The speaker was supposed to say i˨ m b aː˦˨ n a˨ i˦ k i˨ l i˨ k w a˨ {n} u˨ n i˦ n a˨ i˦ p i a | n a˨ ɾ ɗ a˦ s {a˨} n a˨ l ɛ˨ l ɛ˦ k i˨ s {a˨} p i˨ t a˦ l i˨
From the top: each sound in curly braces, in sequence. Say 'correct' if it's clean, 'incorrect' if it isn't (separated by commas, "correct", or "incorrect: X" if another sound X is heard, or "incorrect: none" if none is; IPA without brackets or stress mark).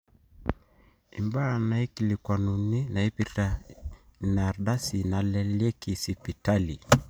correct, incorrect: i˨, incorrect: i˨